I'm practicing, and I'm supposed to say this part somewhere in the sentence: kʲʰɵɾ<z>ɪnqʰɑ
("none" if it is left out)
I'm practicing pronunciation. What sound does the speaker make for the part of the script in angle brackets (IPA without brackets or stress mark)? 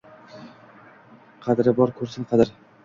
s